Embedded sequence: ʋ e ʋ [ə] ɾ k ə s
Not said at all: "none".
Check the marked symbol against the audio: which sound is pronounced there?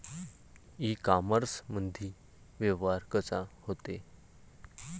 a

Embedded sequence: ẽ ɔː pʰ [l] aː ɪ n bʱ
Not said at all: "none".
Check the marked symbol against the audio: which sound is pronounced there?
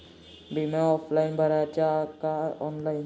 l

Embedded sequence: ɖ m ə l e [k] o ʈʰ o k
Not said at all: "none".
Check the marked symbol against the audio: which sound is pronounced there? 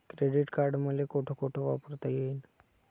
k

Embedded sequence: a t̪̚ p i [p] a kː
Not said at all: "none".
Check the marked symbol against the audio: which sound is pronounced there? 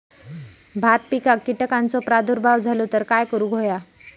k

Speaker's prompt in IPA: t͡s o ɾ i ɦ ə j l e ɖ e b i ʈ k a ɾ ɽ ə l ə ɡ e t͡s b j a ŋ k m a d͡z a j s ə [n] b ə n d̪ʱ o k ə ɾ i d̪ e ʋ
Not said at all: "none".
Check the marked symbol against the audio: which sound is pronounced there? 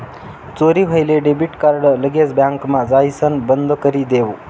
n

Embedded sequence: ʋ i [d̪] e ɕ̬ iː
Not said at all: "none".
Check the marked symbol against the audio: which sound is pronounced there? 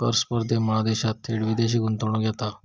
d̪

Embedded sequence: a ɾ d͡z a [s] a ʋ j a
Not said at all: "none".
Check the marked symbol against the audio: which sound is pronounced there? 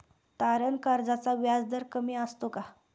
t͡s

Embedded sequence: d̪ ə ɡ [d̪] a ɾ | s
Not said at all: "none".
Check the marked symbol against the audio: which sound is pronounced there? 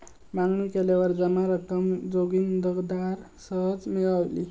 d̪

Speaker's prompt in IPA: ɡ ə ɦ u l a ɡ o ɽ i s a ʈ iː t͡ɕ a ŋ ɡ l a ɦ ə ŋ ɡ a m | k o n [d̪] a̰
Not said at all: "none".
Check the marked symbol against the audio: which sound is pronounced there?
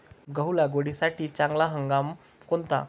t̪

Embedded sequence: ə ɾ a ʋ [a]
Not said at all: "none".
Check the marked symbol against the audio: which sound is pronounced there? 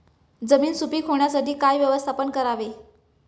e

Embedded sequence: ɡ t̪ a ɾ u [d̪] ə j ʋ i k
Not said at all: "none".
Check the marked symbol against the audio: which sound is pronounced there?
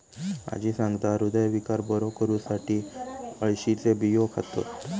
d̪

